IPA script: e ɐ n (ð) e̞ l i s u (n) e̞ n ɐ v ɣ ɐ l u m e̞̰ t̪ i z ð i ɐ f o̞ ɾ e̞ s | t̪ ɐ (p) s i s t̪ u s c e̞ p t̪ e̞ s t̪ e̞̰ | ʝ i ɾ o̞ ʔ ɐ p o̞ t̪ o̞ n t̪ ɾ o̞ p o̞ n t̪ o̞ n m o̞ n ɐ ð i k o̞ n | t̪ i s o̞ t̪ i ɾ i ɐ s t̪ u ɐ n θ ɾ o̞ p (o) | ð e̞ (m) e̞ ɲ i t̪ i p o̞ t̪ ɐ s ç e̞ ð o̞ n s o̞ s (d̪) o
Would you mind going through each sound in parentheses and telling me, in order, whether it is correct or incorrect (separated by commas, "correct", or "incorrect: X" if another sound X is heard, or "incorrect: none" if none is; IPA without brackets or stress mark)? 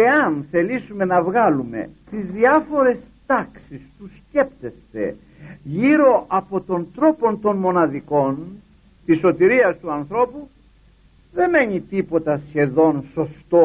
incorrect: θ, incorrect: m, incorrect: k, incorrect: u, correct, incorrect: t̪